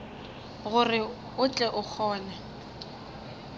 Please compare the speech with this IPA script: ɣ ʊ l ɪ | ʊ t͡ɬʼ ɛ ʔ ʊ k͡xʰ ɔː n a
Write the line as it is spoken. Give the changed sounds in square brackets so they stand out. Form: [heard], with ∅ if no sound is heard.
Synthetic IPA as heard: ɣ ʊ [r] ɪ | ʊ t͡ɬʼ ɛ ʔ ʊ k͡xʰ ɔː n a